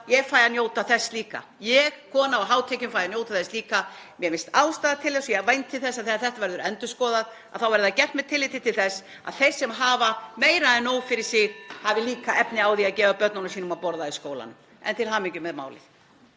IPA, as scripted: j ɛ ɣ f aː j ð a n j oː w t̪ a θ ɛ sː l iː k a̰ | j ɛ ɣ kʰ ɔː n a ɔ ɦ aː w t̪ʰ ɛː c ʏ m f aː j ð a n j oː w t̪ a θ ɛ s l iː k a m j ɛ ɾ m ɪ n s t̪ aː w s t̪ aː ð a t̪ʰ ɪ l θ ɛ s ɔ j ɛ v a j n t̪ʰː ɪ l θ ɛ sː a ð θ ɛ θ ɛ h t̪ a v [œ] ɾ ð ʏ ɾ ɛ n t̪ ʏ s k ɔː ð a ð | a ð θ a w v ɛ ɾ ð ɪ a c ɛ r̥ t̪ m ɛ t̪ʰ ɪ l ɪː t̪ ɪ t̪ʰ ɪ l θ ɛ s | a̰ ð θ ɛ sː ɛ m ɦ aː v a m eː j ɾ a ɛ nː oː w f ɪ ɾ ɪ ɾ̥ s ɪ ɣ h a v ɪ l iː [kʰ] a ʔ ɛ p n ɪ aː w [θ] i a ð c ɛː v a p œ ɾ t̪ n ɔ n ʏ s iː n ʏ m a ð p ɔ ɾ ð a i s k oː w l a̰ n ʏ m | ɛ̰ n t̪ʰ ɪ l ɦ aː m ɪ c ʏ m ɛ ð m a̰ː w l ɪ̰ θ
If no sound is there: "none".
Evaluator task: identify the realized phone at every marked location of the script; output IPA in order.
ɛ, k, ð

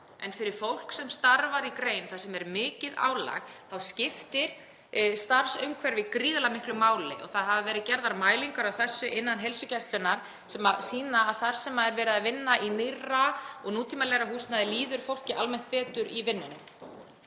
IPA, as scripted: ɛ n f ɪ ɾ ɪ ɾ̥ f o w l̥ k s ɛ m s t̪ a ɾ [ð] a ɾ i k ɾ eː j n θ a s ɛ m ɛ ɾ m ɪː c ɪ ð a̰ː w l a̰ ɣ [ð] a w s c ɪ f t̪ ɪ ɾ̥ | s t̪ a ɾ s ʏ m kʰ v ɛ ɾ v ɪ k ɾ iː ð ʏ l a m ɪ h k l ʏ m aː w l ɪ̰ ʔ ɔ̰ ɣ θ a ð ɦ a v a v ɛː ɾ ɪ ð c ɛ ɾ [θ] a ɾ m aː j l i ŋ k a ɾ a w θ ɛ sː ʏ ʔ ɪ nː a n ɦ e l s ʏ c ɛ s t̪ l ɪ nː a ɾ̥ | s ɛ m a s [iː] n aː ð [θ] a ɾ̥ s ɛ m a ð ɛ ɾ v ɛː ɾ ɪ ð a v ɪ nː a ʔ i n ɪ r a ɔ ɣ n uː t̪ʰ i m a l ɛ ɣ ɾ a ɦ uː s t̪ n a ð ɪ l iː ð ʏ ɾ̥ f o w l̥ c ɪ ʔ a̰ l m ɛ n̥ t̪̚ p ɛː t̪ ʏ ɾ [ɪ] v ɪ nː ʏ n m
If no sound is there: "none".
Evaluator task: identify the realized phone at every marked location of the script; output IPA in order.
v, θ, ð, iː, θ, i

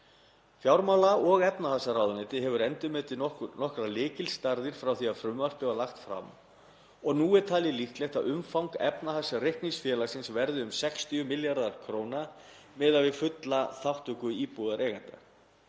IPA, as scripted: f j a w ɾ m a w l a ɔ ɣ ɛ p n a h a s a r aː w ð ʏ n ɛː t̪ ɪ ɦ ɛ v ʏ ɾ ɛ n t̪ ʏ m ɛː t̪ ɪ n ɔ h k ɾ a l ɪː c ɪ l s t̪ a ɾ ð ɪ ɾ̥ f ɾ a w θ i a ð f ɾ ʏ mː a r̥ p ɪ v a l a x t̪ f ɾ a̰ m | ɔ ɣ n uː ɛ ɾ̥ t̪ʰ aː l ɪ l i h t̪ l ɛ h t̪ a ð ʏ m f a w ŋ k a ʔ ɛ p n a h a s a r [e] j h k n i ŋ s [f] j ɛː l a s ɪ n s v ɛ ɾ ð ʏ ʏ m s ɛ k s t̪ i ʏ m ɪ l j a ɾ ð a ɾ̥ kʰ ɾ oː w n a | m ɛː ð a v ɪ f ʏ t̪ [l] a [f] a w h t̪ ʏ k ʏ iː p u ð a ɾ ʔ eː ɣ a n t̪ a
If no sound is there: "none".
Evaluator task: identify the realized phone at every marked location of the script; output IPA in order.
e, f, l, θ

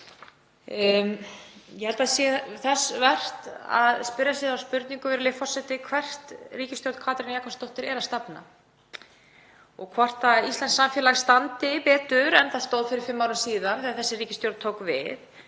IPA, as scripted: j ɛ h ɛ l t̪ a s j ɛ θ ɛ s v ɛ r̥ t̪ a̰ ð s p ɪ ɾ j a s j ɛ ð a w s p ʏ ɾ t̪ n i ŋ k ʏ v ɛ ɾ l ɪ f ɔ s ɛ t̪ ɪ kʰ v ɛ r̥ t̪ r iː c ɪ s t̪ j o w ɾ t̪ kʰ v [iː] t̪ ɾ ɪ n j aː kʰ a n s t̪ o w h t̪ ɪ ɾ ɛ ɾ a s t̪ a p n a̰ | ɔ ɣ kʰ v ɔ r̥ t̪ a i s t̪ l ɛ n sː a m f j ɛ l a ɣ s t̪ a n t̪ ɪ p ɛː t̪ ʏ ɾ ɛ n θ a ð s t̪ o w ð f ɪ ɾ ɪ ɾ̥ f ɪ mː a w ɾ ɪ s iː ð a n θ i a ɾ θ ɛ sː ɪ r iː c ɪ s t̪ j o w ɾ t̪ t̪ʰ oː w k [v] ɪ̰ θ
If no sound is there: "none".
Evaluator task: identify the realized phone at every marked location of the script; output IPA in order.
aː, v

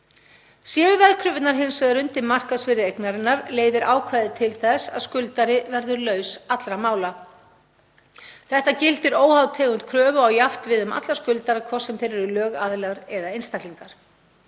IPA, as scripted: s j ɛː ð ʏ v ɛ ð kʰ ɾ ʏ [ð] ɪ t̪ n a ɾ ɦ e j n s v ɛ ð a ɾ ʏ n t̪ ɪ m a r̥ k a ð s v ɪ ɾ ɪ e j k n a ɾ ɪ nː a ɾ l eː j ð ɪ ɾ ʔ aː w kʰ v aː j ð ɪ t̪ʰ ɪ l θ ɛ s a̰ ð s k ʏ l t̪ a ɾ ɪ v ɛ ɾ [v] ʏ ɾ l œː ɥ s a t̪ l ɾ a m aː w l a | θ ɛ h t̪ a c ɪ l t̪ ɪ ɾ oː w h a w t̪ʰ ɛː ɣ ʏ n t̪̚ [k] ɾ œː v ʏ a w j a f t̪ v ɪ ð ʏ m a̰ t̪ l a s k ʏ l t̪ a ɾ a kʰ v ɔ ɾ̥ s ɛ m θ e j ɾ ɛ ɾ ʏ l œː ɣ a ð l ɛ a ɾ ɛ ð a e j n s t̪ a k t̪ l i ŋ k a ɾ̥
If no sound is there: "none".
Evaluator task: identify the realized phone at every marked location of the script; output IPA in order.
v, ð, kʰ

